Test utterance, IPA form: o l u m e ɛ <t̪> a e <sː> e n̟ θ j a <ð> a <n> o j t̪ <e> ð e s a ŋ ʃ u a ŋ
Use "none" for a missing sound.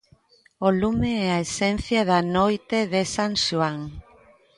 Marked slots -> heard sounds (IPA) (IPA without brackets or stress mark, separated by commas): none, s, ð, n, e